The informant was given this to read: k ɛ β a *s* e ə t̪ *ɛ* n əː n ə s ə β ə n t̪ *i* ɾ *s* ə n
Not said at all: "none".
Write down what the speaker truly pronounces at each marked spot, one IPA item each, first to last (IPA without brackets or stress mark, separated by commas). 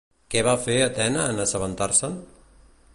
f, ɛ, a, s